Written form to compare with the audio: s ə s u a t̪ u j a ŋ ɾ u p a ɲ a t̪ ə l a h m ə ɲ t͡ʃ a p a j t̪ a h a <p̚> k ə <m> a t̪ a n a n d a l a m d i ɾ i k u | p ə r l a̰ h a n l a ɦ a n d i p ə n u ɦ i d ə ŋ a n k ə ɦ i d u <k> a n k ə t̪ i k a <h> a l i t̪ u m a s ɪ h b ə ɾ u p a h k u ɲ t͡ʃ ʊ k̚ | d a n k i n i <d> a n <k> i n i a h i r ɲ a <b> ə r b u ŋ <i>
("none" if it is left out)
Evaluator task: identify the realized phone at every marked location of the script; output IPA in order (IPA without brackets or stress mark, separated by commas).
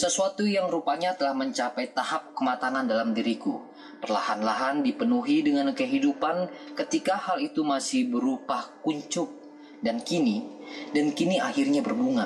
p̚, m, p, h, d, k, b, a